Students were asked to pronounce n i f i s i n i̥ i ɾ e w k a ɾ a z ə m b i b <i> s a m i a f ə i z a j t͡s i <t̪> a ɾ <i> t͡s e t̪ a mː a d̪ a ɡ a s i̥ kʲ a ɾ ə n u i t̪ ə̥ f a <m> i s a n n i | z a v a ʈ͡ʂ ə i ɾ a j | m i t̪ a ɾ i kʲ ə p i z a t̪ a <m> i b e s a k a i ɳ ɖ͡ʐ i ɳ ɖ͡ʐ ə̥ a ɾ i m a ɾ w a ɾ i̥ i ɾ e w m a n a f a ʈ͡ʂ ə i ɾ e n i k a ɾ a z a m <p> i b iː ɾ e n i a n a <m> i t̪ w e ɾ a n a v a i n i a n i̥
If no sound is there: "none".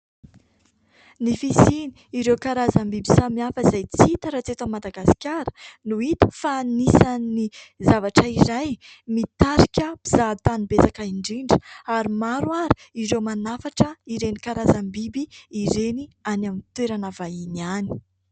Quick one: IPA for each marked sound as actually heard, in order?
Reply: i, t̪, a, n, n, b, m

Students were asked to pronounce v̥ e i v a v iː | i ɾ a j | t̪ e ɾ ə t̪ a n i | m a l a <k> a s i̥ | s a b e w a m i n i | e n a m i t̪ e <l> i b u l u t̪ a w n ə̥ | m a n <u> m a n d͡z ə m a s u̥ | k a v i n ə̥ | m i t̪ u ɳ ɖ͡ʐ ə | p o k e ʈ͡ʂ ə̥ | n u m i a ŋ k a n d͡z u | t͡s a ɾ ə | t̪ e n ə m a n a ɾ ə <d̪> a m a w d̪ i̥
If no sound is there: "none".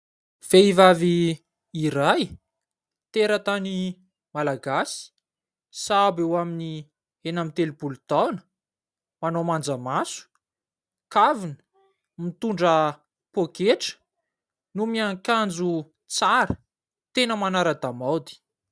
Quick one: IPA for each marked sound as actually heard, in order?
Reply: ɡ, l, o, d̪

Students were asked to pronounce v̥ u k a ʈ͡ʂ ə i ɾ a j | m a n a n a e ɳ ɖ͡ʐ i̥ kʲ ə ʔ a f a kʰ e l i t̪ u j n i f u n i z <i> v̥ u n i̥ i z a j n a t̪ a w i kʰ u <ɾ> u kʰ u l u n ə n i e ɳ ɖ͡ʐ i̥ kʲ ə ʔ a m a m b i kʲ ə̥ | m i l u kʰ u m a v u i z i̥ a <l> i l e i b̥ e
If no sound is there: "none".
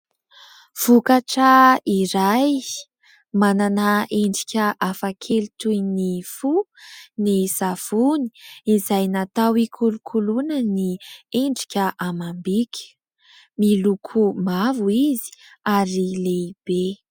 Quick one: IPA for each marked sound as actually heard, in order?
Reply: a, l, ɾ

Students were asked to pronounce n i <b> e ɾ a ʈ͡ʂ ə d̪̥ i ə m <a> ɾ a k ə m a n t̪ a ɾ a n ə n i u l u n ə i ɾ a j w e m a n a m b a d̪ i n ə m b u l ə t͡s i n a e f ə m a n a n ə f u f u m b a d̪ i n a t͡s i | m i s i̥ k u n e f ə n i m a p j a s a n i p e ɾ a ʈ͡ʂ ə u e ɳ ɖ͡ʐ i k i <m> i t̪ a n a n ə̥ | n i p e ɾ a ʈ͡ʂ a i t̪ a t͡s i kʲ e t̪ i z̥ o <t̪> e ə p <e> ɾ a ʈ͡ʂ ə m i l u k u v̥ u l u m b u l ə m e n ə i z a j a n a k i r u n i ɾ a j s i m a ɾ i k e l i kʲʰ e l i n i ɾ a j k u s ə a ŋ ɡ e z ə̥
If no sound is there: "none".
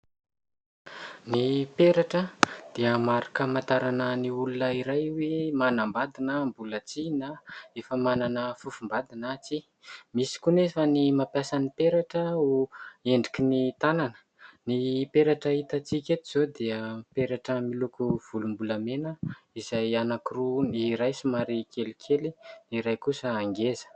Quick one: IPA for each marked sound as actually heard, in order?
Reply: p, a, n, d̪, e

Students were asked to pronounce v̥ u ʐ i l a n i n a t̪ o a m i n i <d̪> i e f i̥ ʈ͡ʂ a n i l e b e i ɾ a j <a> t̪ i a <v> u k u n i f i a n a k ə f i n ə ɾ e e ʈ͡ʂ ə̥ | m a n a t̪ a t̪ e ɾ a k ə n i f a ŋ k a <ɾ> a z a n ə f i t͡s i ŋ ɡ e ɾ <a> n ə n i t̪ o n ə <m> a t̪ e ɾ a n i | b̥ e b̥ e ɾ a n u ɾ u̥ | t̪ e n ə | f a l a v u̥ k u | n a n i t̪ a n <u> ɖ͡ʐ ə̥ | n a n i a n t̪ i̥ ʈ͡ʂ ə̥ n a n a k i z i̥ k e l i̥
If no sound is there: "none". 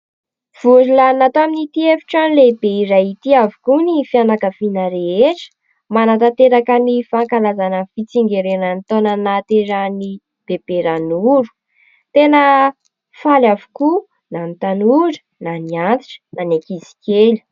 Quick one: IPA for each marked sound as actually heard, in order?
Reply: t̪, i, v, l, e, n, u

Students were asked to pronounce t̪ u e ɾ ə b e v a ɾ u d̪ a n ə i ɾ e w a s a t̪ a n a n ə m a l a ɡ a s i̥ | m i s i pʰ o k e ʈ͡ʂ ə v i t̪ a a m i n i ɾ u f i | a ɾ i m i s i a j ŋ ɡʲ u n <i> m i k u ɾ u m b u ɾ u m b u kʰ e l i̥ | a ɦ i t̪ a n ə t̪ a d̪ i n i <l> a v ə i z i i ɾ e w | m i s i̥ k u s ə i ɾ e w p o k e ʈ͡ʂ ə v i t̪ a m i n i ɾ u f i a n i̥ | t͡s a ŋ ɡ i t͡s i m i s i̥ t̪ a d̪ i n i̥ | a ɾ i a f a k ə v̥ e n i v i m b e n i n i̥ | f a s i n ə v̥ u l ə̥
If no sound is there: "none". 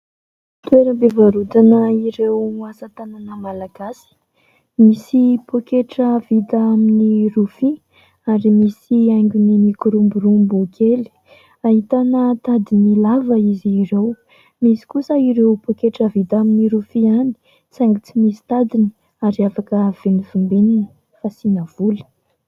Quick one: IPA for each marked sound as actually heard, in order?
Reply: i, l

